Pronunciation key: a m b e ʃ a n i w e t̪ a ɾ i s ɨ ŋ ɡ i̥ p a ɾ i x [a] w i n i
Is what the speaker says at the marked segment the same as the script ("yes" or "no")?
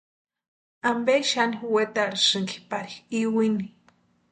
no